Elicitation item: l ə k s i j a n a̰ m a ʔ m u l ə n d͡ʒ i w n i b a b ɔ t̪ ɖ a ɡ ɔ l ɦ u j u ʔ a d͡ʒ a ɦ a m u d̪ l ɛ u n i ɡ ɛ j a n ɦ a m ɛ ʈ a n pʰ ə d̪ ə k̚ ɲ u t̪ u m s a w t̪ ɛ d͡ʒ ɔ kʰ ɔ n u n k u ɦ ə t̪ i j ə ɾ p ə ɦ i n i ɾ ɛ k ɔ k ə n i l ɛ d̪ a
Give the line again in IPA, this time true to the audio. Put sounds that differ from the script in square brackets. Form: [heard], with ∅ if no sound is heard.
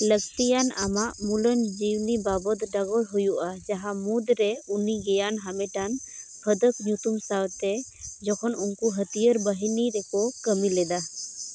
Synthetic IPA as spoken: l ə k s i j a n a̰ m a ʔ m u l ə n d͡ʒ i w n i b a b ɔ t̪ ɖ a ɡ ɔ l ɦ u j u ʔ a d͡ʒ a ɦ a m u d̪ [ɾ] ɛ u n i ɡ ɛ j a n ɦ a m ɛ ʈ a n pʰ ə d̪ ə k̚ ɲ u t̪ u m s a w t̪ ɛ d͡ʒ ɔ kʰ ɔ n u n k u ɦ ə t̪ i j ə ɾ [b] ə ɦ i n i ɾ ɛ k ɔ k ə [m] i l ɛ d̪ a